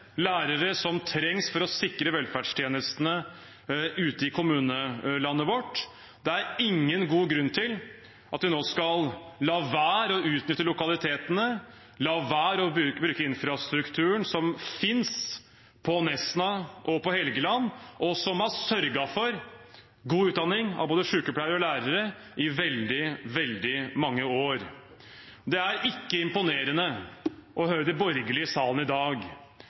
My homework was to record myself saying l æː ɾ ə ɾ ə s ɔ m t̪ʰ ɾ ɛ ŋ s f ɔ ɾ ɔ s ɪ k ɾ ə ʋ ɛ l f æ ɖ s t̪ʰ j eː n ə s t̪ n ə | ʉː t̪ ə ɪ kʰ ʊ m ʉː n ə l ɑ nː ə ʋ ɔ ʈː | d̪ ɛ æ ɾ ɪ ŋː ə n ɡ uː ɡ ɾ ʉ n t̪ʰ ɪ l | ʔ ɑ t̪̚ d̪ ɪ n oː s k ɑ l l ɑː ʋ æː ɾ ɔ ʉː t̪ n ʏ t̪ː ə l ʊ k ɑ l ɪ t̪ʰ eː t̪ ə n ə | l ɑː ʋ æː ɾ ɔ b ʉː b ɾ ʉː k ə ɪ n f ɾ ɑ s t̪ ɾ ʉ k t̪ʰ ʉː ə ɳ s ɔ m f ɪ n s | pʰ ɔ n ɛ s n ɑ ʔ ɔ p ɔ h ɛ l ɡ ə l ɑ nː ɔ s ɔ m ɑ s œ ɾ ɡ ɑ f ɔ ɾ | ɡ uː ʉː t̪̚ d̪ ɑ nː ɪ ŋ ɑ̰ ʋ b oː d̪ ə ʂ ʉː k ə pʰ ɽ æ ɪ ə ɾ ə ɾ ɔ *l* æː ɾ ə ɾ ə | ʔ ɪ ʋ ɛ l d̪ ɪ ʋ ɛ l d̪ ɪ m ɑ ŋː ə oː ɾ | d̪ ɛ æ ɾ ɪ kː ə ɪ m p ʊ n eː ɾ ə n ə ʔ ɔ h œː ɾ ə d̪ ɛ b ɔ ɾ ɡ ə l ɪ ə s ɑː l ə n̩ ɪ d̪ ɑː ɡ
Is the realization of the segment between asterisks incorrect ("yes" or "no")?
no